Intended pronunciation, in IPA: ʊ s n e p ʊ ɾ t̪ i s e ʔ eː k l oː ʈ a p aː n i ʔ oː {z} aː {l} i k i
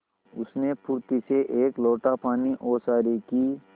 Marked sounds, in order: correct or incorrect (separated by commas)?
incorrect, incorrect